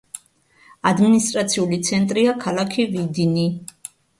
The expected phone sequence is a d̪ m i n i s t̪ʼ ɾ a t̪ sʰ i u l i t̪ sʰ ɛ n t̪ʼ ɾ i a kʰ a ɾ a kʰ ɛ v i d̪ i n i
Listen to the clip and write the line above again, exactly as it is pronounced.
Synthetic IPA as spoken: a d̪ m i n i s t̪ʼ ɾ a t̪ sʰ i u l i t̪ sʰ ɛ n t̪ʼ ɾ i a kʰ a l a kʰ i v i d̪ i n i